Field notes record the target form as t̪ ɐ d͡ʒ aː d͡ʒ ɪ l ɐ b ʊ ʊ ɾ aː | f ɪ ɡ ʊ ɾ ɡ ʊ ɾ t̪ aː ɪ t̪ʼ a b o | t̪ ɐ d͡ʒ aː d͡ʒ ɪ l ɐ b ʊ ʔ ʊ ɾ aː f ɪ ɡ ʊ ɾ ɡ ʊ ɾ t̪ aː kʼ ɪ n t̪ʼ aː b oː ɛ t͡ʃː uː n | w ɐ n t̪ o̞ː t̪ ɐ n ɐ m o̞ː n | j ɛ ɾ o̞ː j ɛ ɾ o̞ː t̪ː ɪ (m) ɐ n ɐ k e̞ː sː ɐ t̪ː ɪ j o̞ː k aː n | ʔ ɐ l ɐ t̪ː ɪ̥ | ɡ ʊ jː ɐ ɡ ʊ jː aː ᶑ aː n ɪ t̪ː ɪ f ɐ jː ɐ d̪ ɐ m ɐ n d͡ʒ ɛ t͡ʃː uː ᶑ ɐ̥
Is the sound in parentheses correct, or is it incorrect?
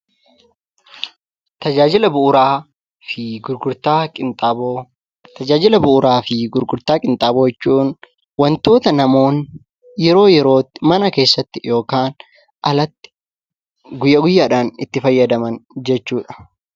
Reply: correct